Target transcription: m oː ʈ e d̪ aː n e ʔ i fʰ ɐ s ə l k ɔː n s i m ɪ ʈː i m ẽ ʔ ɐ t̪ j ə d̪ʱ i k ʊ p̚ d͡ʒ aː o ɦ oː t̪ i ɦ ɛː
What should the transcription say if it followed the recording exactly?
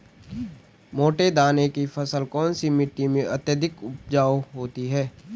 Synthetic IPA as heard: m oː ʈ e d̪ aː n e k i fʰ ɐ s ə l k ɔː n s i m ɪ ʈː i m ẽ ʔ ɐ t̪ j ə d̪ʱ ɪ k ʊ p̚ d͡ʒ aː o ɦ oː t̪ i ɦ ɛː